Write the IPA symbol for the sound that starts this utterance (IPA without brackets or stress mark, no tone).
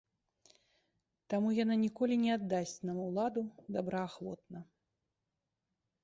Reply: t̪